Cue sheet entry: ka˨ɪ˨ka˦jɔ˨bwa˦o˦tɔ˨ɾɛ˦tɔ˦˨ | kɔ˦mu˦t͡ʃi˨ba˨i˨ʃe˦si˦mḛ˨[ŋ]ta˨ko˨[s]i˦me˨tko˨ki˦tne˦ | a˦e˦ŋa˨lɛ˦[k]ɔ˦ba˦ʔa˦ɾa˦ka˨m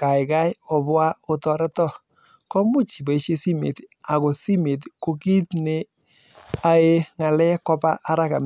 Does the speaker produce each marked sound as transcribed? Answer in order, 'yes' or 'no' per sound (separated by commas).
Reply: no, yes, yes